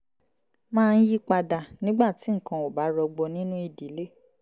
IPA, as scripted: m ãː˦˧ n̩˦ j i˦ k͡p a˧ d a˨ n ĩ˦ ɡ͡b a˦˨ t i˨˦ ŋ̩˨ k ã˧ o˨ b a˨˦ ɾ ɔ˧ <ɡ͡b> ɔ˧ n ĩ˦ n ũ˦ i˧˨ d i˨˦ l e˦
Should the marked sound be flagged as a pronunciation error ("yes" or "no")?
no